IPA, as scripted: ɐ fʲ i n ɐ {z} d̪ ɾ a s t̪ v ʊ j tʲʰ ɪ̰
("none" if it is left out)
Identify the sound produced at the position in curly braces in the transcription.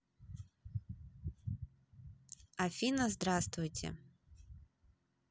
z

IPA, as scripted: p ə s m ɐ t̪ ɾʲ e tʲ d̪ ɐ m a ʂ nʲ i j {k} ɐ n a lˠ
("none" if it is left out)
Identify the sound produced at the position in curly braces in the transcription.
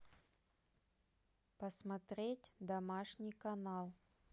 k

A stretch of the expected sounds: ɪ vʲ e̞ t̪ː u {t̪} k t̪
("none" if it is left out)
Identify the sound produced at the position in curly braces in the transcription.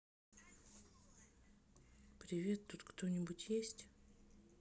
t̪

